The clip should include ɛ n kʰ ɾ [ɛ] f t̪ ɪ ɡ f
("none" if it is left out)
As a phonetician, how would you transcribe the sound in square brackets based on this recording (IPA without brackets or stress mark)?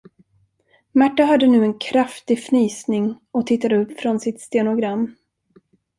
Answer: a